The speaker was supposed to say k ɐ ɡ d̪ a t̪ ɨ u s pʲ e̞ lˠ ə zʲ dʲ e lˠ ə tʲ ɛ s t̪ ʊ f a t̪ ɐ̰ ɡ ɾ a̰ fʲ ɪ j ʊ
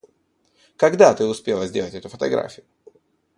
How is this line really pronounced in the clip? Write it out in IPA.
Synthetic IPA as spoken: k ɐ ɡ d̪ a t̪ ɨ ʊ s pʲ e̞ lˠ ə zʲ dʲ e lˠ ə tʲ ɛ t̪ ʊ f ə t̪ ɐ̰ ɡ ɾ a̰ fʲ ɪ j ʊ